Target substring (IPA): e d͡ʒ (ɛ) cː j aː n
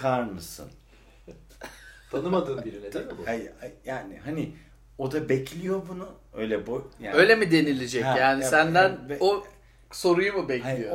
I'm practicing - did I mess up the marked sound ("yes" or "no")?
no